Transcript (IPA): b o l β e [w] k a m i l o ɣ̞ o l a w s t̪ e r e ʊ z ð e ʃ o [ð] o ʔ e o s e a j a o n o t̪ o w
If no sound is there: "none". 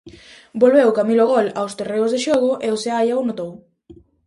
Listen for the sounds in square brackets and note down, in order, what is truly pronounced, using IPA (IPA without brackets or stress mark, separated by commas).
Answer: w, ɣ